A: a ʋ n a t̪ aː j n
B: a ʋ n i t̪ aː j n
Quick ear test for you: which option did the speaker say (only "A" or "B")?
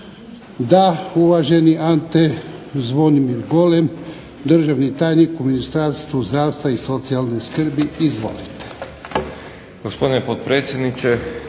B